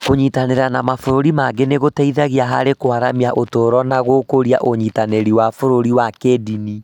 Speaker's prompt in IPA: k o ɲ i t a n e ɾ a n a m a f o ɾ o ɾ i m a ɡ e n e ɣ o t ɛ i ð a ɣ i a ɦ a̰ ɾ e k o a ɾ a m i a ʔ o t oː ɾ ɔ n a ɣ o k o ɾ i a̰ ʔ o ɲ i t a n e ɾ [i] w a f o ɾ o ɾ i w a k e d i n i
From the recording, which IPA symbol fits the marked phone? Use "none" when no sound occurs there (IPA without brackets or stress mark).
i